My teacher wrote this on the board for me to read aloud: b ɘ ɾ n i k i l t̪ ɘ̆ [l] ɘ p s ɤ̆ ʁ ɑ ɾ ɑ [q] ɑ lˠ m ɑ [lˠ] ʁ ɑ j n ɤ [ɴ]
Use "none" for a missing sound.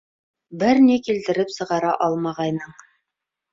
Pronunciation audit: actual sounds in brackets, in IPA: ɾ, ʔ, none, ɴ

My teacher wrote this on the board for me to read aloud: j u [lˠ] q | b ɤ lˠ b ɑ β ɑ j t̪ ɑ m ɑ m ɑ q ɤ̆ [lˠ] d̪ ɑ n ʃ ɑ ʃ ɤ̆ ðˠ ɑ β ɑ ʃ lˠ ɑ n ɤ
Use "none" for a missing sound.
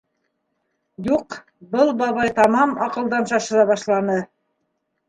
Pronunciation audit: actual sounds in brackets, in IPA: none, lˠ

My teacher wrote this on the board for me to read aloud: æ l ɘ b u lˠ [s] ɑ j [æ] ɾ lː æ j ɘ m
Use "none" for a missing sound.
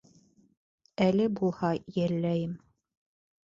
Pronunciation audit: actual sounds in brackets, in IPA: h, æ

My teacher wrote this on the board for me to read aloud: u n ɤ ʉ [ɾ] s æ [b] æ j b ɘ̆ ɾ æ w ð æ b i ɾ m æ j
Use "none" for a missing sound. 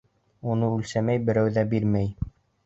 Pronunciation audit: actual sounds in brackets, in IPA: l, m

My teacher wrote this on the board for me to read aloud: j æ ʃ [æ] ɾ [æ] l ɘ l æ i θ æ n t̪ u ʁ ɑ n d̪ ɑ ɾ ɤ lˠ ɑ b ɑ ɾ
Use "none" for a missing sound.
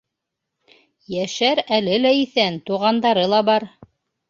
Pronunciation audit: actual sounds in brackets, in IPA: æ, æ

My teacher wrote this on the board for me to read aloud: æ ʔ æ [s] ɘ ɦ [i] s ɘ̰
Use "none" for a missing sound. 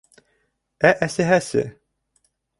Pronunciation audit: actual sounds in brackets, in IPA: s, æ

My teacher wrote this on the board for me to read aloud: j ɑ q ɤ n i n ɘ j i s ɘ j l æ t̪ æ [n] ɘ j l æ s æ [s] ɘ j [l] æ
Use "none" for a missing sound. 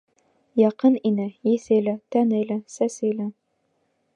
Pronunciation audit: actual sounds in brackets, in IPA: n, s, l

